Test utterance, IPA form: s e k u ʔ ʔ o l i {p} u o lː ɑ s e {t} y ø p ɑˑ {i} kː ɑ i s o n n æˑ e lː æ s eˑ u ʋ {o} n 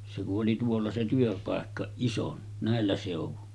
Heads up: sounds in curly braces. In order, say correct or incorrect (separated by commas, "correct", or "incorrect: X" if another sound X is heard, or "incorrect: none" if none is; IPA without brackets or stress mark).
incorrect: t, correct, incorrect: e, incorrect: u